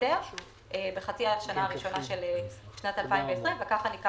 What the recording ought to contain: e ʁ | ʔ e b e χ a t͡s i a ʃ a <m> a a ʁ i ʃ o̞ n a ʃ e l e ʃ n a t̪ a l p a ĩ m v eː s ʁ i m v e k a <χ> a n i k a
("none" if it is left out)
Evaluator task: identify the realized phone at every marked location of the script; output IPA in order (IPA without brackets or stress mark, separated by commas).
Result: n, χ